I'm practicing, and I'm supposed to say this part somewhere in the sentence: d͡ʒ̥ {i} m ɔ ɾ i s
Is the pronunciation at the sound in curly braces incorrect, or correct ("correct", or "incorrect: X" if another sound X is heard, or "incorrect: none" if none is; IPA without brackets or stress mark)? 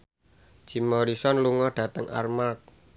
correct